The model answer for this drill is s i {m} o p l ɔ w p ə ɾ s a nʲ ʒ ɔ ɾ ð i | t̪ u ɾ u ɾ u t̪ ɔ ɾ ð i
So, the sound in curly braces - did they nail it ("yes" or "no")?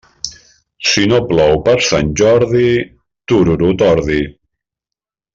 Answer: no